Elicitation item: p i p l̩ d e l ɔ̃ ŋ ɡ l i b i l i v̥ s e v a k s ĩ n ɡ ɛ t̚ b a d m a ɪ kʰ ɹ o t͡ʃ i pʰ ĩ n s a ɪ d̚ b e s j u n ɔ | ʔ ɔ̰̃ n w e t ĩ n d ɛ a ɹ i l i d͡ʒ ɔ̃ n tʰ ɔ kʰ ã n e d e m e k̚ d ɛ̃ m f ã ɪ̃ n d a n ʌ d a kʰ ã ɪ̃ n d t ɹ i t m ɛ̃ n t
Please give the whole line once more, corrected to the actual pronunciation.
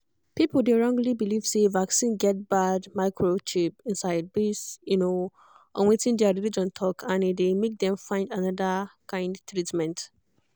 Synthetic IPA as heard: p i p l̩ d e ɹ ɔ̃ ŋ ɡ l i b i l i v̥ s e v a k s ĩ n ɡ ɛ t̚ b a d m a ɪ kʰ ɹ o t͡ʃ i p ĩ n s a ɪ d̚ b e s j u n o | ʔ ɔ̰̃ n w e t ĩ n d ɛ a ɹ i l i d͡ʒ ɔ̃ n tʰ ɔ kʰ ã n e d e m e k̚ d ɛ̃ m f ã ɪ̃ n d a n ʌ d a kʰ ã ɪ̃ n d t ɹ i t m ɛ̃ n t

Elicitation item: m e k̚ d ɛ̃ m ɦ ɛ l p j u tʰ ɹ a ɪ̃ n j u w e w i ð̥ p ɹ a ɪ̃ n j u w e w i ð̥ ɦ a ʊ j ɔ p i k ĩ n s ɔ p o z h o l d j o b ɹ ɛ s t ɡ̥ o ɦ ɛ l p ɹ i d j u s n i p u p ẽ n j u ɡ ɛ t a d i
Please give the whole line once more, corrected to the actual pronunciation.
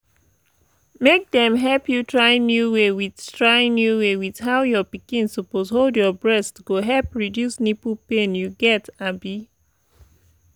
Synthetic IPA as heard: m e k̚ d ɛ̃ m ɦ ɛ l p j u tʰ ɹ a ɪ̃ n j u w e w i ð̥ t ɹ a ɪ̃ n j u w e w i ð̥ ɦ a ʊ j ɔ p i k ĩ n s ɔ p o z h o l d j ɔ b ɹ ɛ s t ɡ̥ o ɦ ɛ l p ɹ i d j u s n i p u p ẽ n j u ɡ ɛ t a b i

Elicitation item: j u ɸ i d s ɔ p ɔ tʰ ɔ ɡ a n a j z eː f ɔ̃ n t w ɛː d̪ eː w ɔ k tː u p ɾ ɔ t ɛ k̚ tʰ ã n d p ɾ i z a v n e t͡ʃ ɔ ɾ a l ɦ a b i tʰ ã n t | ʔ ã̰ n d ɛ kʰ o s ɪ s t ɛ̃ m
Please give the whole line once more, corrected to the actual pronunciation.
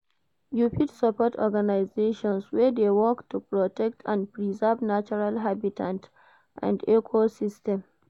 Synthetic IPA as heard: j u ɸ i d s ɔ p ɔ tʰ ɔ ɡ a n a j z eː ʃ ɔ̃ n s w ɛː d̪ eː w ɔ k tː u p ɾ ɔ t ɛ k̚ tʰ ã n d p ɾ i z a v n a t͡ʃ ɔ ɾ a l ɦ a b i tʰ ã n t | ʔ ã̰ n d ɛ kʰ o s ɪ s t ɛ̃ m

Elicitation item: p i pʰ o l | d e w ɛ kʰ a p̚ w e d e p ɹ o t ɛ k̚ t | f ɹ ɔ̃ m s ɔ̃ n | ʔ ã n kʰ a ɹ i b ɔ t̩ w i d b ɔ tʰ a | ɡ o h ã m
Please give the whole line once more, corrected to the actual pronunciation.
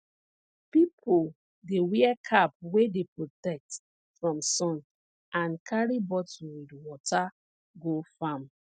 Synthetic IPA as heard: p i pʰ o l | d e w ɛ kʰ a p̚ w e d e p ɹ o t ɛ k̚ t | f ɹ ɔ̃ m s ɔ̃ n | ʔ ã n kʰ a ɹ i b ɔ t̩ w i d w ɔ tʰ a | ɡ o f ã m

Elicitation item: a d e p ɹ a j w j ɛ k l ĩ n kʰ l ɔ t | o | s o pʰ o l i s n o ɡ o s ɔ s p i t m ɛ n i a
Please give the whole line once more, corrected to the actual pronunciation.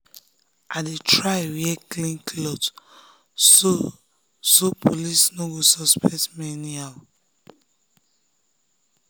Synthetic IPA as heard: a d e t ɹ a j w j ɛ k l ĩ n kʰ l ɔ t | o | s o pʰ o l i s n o ɡ o s ɔ s p ɛ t m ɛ n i a

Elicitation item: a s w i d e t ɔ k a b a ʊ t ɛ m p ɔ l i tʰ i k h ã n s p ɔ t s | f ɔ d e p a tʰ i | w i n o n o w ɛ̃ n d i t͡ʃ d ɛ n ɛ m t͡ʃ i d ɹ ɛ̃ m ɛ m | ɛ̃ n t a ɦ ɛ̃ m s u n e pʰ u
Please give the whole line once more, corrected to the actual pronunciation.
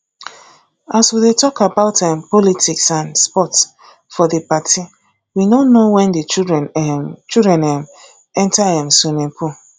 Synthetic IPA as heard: a s w i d e t ɔ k a b a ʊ t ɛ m p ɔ l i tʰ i k s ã n s p ɔ t s | f ɔ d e p a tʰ i | w i n o n o w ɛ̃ n d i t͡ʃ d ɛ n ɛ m t͡ʃ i d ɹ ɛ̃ n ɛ m | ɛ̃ n t a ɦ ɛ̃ m s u n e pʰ u

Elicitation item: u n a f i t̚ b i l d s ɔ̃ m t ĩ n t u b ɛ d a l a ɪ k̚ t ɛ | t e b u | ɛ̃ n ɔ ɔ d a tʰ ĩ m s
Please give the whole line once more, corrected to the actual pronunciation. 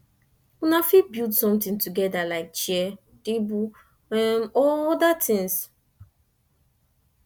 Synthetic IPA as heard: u n a f i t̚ b i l d s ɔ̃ m t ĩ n t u ɡ ɛ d a l a ɪ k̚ t͡ʃ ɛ | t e b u | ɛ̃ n ɔ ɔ d a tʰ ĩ ŋ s

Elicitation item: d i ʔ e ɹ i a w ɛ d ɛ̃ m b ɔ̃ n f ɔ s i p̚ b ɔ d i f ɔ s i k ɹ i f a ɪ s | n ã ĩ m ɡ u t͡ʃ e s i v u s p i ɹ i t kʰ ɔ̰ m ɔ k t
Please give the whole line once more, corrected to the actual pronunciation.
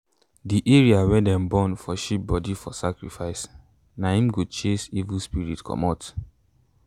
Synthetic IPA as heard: d i ʔ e ɹ i a w ɛ d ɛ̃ m b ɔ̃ n f ɔ ʃ i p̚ b ɔ d i f ɔ s a k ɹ i f a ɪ s | n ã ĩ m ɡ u t͡ʃ e s i v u s p i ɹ i t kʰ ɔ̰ m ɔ t

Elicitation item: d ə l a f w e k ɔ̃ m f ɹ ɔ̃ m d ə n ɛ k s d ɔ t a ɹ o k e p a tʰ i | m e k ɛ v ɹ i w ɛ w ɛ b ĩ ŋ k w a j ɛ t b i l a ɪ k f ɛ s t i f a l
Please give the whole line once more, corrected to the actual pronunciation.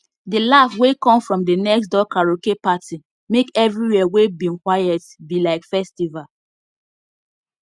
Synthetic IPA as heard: d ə l a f w e k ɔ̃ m f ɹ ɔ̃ m d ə n ɛ k s d ɔ k a ɹ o k e p a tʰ i | m e k ɛ v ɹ i w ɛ w e b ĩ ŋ k w a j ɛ t b i l a ɪ k f ɛ s t i v a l

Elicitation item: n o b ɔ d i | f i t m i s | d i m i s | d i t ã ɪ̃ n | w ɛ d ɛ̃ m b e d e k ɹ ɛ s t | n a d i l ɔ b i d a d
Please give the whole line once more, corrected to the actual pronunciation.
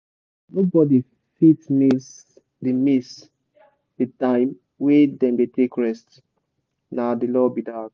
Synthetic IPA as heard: n o b ɔ d i | f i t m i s | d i m i s | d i t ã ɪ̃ m | w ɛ d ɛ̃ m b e t e k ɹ ɛ s t | n a d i l ɔ b i d a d

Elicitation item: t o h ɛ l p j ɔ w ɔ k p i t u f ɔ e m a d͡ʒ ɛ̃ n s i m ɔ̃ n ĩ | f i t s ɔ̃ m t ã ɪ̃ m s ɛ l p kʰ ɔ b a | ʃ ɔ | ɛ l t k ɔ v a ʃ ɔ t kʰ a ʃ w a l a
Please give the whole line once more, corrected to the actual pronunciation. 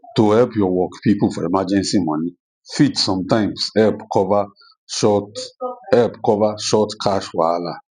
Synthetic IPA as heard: t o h ɛ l p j ɔ w ɔ k p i p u f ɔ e m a d͡ʒ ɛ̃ n s i m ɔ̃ n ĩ | f i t s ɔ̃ m t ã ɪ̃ m s ɛ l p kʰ ɔ v a | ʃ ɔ | ɛ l p k ɔ v a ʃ ɔ t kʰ a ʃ w a l a

